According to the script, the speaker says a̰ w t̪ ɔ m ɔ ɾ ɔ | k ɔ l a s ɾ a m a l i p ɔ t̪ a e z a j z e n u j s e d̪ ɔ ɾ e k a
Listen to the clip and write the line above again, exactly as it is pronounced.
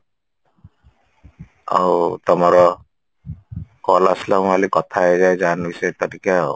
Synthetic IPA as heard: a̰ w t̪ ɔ m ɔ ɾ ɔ | k ɔ l a s l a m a l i k ɔ t̪ʰ a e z a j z a n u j s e t̪ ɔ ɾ i k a